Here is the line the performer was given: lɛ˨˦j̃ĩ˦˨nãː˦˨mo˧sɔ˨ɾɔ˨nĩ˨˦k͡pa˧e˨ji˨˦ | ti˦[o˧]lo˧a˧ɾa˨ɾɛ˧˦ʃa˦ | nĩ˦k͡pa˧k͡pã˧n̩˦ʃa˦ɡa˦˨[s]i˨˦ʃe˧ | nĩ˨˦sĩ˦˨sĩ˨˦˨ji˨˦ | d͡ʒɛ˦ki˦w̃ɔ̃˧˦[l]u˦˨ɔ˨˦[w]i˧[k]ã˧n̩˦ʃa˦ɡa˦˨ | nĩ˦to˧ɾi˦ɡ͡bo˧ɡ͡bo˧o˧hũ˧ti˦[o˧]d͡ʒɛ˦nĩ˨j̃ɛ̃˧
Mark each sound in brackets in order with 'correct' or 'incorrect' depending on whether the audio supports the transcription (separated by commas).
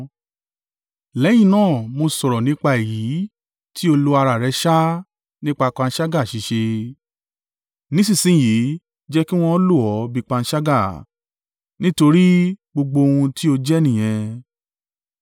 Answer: correct, incorrect, correct, incorrect, incorrect, correct